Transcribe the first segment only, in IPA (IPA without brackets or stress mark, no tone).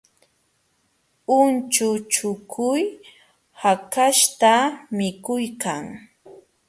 ʊ